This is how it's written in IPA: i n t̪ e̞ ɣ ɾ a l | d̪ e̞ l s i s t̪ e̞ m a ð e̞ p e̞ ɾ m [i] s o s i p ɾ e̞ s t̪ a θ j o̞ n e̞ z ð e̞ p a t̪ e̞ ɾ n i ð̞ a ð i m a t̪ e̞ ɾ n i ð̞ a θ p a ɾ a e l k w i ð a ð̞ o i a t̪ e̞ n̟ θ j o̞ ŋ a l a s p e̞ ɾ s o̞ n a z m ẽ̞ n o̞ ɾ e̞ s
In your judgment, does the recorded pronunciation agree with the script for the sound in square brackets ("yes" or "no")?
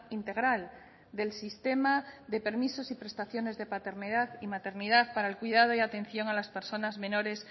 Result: yes